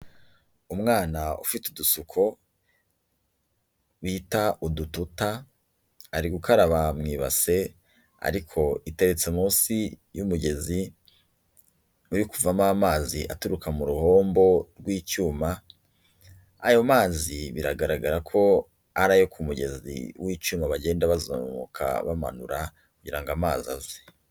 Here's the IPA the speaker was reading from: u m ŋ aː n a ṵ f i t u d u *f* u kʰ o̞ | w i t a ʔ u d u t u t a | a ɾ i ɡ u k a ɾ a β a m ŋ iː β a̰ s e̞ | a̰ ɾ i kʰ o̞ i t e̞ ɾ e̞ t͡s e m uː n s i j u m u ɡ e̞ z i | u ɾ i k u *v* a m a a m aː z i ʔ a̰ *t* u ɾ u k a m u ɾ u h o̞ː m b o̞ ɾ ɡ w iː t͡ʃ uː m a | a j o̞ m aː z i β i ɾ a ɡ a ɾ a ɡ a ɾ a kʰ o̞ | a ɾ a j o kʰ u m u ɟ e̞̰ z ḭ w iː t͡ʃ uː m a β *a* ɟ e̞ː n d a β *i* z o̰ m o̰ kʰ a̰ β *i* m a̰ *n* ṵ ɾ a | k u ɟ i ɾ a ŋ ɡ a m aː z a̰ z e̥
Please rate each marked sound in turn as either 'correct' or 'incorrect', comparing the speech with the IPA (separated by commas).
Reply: incorrect, correct, correct, correct, incorrect, incorrect, correct